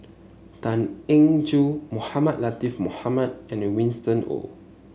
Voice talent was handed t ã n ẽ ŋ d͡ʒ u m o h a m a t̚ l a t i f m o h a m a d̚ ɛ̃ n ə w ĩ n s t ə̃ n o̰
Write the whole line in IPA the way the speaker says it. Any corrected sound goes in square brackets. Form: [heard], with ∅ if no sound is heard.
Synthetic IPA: t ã n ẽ ŋ d͡ʒ u m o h a m a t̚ l a t i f m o h a m a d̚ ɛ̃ n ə w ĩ n s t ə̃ n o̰